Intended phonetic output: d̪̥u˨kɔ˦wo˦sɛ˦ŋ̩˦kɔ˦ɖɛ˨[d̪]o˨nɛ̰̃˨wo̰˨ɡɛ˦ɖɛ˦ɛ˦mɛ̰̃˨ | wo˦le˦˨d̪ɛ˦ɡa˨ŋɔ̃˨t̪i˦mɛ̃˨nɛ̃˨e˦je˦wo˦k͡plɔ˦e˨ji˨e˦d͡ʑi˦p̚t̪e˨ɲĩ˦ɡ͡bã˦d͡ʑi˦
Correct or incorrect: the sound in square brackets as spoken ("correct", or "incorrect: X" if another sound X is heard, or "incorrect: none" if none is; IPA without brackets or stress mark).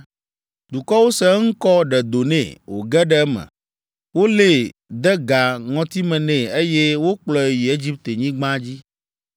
correct